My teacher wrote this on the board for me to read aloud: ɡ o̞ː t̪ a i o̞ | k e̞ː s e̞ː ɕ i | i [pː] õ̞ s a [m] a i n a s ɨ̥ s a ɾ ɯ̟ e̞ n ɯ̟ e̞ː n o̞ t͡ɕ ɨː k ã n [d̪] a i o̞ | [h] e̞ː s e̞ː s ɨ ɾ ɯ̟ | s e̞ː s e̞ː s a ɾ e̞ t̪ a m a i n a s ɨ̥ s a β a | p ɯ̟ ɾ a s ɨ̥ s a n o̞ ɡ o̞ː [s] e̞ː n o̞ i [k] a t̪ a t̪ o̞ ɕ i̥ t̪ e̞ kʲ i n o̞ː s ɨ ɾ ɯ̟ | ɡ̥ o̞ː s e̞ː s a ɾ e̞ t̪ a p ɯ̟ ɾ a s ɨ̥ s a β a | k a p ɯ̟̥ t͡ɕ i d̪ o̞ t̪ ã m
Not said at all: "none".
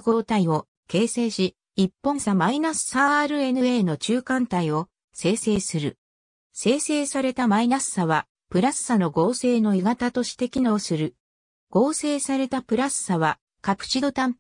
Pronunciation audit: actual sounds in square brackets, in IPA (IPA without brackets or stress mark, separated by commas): pː, m, t̪, s, s, ɡ